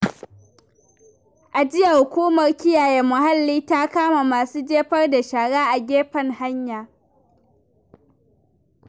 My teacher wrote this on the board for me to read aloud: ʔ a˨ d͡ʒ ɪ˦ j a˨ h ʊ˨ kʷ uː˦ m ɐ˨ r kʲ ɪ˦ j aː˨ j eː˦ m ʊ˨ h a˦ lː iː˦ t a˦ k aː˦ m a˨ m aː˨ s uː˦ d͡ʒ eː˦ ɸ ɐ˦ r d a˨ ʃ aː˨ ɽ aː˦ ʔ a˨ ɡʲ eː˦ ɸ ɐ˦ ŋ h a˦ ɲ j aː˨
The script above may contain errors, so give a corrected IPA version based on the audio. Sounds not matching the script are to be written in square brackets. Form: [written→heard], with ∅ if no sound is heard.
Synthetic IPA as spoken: ʔ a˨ d͡ʒ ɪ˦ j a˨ h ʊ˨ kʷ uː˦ m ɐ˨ r kʲ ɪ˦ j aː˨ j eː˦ m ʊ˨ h a˦ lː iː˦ t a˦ k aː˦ m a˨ m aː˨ s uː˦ d͡ʒ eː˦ ɸ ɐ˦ r d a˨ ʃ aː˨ ɽ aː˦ ʔ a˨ ɡʲ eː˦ ɸ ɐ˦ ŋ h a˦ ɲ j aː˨